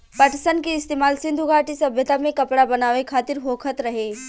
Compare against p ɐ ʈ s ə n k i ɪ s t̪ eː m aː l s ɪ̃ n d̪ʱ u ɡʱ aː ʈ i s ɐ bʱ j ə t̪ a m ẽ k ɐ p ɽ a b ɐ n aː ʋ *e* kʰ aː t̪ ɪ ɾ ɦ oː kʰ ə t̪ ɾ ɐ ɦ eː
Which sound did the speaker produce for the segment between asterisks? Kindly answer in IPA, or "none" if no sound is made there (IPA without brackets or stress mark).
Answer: e